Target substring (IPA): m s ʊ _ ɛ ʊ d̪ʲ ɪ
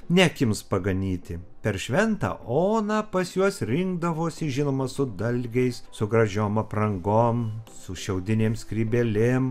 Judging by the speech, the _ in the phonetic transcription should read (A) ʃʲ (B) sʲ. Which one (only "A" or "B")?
A